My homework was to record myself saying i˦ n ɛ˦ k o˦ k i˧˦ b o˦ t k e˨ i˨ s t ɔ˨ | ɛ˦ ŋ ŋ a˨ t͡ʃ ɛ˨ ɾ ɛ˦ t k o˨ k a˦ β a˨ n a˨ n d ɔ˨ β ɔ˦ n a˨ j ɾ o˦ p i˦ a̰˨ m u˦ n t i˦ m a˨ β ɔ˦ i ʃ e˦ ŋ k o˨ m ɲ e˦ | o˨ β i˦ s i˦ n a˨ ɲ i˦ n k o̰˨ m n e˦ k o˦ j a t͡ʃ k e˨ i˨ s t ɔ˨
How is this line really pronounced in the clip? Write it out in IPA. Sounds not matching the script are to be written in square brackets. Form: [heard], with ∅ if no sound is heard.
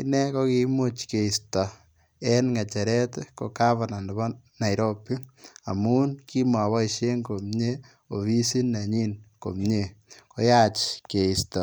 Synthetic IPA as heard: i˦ n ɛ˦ k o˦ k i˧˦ [m] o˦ [t͡ʃ] k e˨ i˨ s t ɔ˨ | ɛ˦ [n] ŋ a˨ t͡ʃ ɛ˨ ɾ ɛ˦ t k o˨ k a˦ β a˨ n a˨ n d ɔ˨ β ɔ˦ n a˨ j ɾ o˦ p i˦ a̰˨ m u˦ n [k] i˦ m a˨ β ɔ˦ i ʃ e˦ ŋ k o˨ m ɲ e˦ | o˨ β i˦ s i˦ n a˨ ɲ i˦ n k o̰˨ m [ɲ] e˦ k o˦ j a t͡ʃ k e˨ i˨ s t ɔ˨